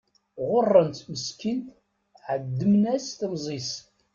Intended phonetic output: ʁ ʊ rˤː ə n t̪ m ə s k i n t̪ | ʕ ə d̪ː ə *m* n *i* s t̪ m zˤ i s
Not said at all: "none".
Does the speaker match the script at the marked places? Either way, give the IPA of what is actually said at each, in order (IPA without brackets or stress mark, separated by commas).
m, æ